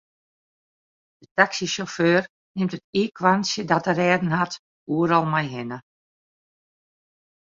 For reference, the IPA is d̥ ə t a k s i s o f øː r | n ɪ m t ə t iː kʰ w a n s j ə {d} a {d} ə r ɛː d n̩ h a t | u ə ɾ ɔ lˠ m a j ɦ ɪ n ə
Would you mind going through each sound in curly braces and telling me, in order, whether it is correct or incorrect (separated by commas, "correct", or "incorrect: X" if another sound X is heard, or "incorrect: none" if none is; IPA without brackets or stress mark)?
correct, incorrect: t